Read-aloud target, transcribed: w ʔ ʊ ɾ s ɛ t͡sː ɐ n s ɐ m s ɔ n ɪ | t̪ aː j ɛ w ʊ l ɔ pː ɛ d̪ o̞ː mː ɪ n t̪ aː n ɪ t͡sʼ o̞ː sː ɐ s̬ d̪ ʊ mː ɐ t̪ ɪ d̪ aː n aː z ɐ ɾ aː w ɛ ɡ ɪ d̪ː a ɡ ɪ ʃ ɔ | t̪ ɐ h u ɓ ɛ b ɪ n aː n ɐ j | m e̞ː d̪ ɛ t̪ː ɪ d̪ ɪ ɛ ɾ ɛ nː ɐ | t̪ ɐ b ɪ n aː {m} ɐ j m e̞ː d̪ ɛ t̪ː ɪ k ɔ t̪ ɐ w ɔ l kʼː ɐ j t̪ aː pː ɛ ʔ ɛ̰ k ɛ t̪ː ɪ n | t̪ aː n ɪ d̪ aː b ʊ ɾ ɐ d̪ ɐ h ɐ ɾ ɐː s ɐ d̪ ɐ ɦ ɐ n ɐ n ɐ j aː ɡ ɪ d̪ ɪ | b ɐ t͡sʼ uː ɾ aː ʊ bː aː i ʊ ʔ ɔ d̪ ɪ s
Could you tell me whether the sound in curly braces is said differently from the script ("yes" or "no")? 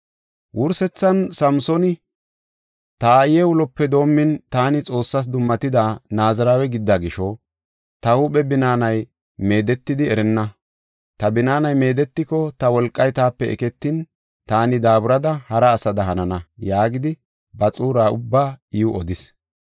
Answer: yes